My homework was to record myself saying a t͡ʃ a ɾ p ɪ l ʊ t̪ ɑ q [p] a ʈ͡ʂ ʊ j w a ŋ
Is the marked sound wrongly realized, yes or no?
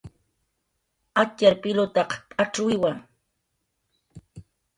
yes